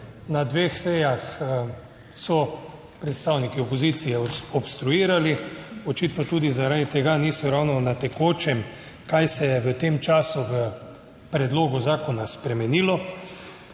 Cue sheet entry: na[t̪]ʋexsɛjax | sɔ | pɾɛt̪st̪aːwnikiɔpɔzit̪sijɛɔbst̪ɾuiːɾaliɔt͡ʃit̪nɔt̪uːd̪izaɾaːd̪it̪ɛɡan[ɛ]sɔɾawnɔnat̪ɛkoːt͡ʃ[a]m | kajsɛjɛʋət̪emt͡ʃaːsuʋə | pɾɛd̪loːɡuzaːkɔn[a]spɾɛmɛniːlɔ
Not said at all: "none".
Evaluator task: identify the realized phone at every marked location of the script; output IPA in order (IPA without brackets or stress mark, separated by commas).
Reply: d̪, i, ɛ, a